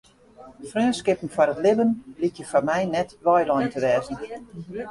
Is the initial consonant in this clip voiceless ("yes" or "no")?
yes